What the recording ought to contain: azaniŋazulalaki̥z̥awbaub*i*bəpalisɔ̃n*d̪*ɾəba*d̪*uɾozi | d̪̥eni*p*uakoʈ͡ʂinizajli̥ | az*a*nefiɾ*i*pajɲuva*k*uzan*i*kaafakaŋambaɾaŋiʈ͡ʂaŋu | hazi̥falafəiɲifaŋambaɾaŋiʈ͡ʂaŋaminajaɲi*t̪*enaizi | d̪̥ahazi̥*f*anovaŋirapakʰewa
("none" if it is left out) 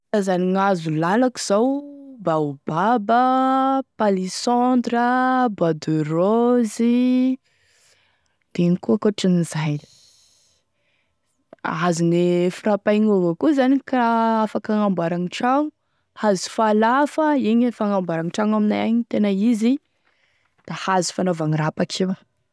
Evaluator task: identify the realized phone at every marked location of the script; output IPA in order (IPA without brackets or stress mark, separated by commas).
a, d̪, d̪, k, i, a, k, i, t̪, f